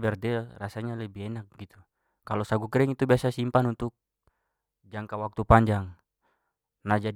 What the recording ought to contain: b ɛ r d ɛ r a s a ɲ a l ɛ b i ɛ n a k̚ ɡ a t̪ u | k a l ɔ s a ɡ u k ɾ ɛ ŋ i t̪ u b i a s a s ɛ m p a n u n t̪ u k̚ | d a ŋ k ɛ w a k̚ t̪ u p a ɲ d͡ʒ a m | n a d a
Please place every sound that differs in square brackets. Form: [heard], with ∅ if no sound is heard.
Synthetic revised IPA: b ɛ r d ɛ r a s a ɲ a l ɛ b i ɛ n a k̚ ɡ [i] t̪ u | k a l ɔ s a ɡ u k ɾ ɛ ŋ i t̪ u b i a s a s [i] m p a n u n t̪ u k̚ | [d͡ʒ] a ŋ k [a] w a k̚ t̪ u p a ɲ d͡ʒ a [ŋ] | n a [d͡ʒ] a

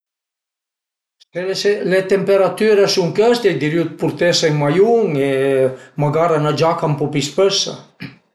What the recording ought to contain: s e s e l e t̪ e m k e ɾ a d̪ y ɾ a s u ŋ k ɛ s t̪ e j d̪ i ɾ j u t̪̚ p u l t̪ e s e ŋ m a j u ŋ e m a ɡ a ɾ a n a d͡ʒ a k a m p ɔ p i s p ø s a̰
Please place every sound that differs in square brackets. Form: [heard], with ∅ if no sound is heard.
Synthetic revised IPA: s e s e l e t̪ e m [p] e ɾ a [t̪] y ɾ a s u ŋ k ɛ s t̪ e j d̪ i ɾ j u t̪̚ p u [ɾ] t̪ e s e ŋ m a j u ŋ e m a ɡ a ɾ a n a d͡ʒ a k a m p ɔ p i s p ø s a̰

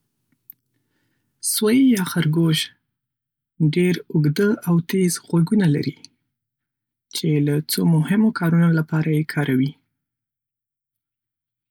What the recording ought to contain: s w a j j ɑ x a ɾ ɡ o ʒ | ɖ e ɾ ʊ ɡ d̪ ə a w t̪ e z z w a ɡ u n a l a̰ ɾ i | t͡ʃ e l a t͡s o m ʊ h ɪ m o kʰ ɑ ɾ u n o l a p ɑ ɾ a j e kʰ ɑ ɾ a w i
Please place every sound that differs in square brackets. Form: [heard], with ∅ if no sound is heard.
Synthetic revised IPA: s w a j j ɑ x a ɾ ɡ o ʒ | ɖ e ɾ ʊ ɡ d̪ ə a w t̪ e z [ɣ] w a ɡ u n a l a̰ ɾ i | t͡ʃ e l a t͡s o m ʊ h ɪ m o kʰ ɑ ɾ u n o l a p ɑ ɾ a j e kʰ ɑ ɾ a w i

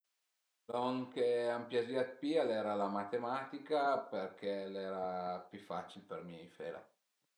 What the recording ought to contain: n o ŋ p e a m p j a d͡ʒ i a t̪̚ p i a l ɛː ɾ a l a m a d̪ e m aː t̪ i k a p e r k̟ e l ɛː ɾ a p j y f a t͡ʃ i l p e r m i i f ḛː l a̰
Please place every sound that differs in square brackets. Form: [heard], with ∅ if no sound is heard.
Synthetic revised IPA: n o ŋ [k] e a m p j a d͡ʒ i a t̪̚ p i a l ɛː ɾ a l a m a [t̪] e m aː t̪ i k a p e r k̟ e l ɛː ɾ a p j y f a t͡ʃ i l p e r m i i f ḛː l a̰

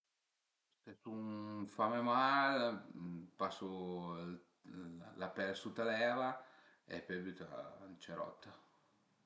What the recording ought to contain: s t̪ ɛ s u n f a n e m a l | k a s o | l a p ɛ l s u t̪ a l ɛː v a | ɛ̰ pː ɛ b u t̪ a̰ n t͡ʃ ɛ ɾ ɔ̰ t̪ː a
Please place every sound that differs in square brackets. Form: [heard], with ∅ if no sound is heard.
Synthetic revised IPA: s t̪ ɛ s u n f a [m] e m a l | [p] a s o | l a p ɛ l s u t̪ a l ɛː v a | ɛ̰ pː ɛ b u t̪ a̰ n t͡ʃ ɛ ɾ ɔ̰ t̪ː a

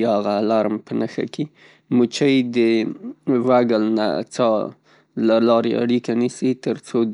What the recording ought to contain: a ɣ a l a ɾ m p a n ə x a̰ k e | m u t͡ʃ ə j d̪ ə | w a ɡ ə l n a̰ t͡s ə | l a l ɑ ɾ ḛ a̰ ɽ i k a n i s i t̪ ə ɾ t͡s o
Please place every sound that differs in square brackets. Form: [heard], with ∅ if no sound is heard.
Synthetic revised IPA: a ɣ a l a ɾ m p [ə] n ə x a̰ k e | m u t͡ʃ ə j d̪ ə | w a ɡ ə l n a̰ t͡s [ɑ] | l a l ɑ ɾ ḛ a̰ ɽ i k a n i s i t̪ ə ɾ t͡s o

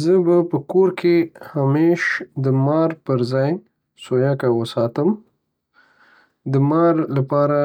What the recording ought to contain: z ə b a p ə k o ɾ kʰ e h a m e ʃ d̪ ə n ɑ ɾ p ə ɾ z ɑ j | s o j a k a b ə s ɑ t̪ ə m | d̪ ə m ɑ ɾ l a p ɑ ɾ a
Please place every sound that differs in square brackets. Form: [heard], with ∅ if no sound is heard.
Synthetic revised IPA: z ə b a p ə k o ɾ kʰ e h a m e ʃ d̪ ə [m] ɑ ɾ p ə ɾ z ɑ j | s o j a k a [w] ə s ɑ t̪ ə m | d̪ ə m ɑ ɾ l a p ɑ ɾ a

